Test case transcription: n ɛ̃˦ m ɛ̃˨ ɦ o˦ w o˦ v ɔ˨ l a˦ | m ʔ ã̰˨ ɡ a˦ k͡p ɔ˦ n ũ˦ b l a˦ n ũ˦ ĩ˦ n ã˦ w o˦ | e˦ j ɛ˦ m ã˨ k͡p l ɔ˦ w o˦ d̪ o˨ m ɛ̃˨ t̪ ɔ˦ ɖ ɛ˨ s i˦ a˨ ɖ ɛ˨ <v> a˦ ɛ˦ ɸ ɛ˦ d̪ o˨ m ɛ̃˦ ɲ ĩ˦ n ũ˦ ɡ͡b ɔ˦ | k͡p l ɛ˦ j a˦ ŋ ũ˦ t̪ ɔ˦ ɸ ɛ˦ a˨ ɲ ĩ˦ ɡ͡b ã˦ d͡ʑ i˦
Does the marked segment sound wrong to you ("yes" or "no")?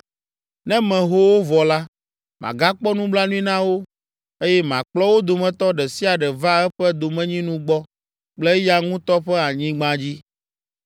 no